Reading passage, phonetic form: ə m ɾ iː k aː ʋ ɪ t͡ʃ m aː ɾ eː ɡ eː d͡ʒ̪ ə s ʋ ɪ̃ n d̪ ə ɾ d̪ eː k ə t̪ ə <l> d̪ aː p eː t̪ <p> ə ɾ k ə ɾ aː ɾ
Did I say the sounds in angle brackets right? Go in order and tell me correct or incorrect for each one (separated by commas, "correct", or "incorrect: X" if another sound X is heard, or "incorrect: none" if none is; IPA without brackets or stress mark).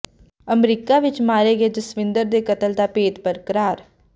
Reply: correct, correct